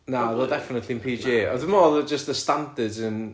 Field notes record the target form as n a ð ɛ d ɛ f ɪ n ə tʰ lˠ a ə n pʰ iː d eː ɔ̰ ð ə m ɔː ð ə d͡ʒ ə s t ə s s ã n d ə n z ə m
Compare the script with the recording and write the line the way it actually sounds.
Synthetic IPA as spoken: n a ð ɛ d ɛ f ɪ n ə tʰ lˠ i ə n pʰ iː d͡ʒ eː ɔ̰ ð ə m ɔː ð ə d͡ʒ ə s t ə s t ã n d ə d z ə n